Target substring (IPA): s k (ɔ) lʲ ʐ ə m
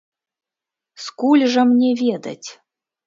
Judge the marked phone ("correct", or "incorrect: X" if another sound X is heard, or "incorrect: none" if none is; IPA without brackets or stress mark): incorrect: u